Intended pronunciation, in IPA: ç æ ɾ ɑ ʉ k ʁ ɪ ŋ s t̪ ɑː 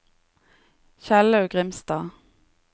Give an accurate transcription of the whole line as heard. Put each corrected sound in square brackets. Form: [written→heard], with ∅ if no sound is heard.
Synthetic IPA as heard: ç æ [ɾ→l] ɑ ʉ [k→ɡ] ʁ ɪ [ŋ→m] s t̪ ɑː